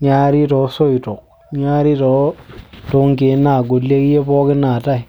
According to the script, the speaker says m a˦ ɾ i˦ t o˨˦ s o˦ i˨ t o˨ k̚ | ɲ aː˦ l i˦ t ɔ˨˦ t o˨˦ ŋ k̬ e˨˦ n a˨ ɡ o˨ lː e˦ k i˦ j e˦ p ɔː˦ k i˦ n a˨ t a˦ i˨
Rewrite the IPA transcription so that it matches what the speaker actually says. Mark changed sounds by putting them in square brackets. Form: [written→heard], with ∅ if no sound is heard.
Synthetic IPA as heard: [m→ɲ] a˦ ɾ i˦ t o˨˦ s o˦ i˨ t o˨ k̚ | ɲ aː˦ [l→ɾ] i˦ t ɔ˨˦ t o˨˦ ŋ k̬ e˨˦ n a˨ ɡ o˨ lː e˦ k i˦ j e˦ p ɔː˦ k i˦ n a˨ t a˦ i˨